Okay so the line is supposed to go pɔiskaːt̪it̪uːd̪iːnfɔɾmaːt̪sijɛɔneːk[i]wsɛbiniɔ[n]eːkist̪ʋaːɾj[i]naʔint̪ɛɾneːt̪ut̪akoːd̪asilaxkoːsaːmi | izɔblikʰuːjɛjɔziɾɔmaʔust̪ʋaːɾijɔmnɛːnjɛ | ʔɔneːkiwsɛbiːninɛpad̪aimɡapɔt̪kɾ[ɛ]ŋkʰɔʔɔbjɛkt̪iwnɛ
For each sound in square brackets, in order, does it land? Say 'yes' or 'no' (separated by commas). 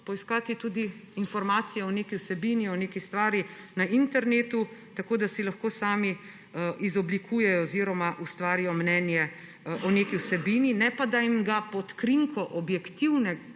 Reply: yes, yes, yes, no